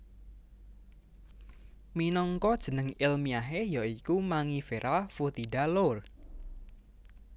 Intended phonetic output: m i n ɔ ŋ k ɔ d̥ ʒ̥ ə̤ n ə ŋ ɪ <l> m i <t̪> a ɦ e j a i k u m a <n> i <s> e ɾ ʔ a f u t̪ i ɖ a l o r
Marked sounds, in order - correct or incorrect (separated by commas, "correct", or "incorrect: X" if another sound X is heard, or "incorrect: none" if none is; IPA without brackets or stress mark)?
correct, incorrect: none, incorrect: ŋ, incorrect: f